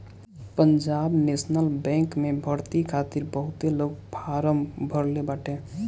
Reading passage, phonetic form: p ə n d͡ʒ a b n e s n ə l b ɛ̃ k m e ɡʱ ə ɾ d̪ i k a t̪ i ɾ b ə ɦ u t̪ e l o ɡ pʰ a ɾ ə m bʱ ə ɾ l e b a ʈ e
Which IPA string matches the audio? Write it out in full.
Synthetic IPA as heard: p ə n d͡ʒ a b n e s n ə l b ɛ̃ k m e bʱ ə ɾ t̪ i kʰ a t̪ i ɾ b ə ɦ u t̪ e l o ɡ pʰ a ɾ ə m bʱ ə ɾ l e b a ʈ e